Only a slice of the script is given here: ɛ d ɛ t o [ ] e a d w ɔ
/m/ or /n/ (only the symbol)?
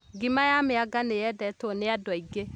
n